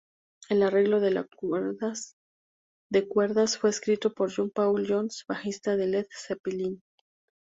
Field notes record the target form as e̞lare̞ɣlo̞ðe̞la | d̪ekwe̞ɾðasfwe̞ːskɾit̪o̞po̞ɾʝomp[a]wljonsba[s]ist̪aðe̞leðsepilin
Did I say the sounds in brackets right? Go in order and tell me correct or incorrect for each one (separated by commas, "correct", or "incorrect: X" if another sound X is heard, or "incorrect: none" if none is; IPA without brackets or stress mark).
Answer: correct, incorrect: x